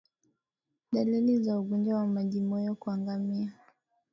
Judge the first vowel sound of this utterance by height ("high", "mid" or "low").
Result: low